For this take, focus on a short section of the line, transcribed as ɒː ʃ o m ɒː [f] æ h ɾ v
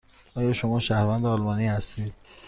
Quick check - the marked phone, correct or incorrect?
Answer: incorrect